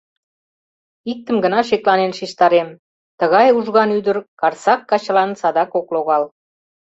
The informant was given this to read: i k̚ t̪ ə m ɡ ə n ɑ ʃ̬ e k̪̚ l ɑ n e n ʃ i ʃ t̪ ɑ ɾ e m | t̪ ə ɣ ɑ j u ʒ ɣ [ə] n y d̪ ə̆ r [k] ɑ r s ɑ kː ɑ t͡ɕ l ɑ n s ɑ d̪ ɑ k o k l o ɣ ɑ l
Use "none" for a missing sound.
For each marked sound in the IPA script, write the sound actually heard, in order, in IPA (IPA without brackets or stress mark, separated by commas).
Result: ɑ, k